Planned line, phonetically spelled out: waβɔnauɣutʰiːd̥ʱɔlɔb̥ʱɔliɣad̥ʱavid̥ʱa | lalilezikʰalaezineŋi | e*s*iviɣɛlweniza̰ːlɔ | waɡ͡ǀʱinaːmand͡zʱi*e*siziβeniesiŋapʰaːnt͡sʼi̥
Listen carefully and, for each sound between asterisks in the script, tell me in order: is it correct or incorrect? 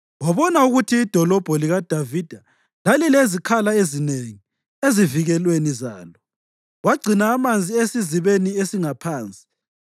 incorrect: z, correct

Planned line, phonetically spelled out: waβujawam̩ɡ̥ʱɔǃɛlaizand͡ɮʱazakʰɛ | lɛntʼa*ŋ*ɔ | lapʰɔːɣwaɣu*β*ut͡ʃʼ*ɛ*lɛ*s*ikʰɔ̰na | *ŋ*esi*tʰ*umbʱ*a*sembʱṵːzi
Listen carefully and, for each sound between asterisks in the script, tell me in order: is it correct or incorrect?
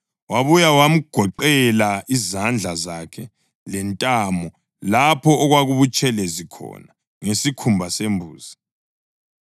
incorrect: m, correct, correct, incorrect: z, correct, incorrect: kʰ, correct

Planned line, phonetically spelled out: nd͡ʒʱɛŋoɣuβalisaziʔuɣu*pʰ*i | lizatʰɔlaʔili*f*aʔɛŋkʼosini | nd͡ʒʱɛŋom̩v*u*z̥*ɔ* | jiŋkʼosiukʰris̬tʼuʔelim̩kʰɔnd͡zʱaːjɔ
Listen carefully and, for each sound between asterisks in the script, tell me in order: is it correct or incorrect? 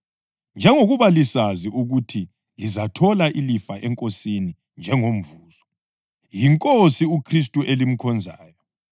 incorrect: tʰ, correct, incorrect: uː, correct

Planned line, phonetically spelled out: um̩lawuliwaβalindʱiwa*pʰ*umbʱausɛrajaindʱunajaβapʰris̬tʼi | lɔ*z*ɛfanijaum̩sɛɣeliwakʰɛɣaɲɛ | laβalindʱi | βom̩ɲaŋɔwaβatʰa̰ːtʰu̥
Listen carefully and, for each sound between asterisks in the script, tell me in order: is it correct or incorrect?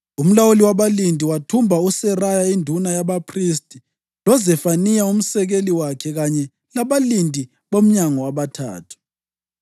incorrect: tʰ, correct

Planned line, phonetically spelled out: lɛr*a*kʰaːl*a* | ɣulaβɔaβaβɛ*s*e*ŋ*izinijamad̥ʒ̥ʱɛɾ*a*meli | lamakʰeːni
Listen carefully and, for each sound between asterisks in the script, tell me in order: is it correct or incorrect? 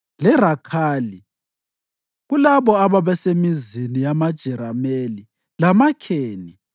correct, incorrect: i, correct, incorrect: m, correct

